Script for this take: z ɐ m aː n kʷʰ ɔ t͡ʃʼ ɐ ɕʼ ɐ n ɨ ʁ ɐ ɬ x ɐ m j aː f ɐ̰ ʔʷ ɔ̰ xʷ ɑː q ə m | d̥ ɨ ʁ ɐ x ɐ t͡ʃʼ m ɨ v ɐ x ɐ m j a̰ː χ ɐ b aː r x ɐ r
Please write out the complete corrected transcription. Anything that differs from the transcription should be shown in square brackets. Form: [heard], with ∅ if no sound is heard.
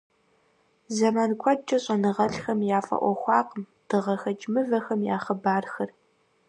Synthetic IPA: z ɐ m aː n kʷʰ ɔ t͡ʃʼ ɐ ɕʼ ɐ n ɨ ʁ ɐ ɬ x ɐ m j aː f ɐ̰ ʔʷ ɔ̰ xʷ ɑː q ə m | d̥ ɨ ʁ ɐ x ɐ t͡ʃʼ m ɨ v ɐ x ɐ m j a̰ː χ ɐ b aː r x ɐ r